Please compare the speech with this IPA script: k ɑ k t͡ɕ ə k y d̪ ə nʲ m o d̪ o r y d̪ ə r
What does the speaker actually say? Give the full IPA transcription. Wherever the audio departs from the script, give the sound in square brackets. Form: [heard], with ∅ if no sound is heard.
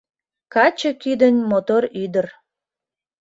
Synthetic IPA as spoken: k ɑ [∅] t͡ɕ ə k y d̪ ə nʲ m o [t̪] o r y d̪ ə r